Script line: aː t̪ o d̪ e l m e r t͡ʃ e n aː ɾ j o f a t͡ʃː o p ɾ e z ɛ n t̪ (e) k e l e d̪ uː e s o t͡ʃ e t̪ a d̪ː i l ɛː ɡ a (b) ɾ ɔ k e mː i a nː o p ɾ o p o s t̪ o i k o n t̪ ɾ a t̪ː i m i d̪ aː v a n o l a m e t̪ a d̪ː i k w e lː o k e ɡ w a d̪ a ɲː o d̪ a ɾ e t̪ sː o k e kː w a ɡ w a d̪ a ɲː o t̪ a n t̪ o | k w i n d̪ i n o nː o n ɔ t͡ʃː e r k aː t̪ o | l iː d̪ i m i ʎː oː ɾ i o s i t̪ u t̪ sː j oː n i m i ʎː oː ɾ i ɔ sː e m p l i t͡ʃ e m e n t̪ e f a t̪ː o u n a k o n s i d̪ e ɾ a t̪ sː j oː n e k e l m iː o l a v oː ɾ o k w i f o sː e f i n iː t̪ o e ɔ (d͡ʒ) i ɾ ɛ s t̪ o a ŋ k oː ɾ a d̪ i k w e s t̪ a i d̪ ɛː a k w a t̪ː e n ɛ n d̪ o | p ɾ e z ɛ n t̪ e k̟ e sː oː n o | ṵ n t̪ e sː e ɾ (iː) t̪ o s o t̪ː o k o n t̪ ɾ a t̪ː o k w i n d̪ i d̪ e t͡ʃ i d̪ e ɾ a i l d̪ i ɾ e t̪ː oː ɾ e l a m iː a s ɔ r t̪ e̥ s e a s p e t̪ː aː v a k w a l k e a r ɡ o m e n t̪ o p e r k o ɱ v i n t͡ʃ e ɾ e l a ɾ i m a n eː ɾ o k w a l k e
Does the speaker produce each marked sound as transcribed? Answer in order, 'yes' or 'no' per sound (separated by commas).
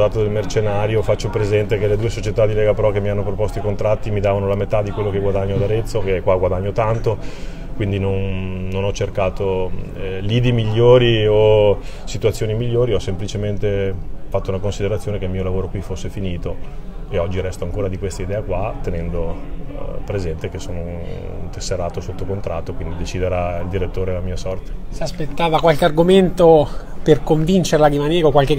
yes, no, no, no